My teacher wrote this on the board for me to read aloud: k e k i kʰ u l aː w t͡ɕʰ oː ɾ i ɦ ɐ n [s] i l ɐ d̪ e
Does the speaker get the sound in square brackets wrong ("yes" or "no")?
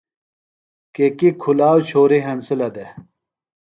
no